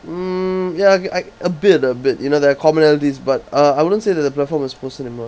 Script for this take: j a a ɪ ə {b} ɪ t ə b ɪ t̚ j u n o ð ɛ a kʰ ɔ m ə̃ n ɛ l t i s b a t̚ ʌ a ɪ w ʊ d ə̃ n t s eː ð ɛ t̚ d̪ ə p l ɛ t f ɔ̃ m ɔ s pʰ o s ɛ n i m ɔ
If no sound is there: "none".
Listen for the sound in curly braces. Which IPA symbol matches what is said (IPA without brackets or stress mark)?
b